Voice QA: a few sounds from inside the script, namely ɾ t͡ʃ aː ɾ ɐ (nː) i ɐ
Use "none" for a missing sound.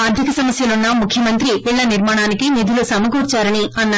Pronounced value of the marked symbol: n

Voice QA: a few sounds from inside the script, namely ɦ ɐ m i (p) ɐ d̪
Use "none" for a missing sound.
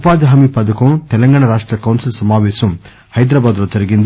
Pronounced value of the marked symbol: p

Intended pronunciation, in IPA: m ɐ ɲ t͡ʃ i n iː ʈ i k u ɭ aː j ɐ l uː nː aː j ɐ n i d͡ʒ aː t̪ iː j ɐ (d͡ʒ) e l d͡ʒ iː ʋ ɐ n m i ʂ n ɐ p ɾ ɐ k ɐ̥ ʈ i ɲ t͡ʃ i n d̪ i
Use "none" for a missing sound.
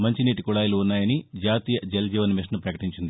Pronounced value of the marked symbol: d͡ʒ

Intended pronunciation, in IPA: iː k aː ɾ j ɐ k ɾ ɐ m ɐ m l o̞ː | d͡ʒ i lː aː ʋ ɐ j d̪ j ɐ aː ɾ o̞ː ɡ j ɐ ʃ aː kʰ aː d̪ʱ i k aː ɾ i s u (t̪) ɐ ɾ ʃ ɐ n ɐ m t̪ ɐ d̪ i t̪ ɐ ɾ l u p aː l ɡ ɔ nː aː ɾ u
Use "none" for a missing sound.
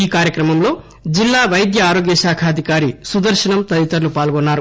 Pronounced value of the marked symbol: d̪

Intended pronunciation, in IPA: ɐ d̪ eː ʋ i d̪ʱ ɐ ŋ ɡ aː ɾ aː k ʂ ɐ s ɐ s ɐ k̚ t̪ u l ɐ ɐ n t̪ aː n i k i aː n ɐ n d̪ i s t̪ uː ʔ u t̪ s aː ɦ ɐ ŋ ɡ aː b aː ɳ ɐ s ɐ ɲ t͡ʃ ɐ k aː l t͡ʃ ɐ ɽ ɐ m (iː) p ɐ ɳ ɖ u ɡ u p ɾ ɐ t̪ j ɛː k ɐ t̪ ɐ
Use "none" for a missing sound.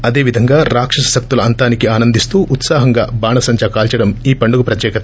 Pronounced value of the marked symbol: iː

